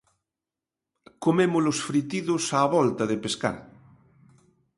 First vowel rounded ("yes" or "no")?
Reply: yes